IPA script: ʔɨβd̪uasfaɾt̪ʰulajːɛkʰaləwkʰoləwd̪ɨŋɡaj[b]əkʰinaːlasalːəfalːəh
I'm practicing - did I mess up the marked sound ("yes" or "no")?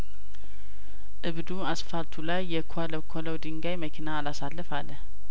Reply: yes